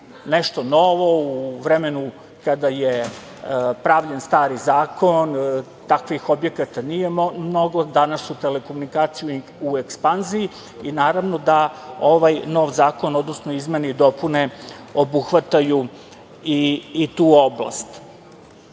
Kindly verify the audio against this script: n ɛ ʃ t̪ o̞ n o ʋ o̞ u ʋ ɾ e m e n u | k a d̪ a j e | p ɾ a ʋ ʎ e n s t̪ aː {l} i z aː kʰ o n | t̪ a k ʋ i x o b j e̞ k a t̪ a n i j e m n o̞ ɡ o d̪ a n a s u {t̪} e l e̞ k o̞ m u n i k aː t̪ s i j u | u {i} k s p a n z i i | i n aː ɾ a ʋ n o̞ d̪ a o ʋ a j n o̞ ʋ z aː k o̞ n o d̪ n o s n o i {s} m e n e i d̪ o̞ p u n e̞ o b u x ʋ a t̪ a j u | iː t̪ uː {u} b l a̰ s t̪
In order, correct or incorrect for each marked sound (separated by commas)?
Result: incorrect, correct, incorrect, incorrect, incorrect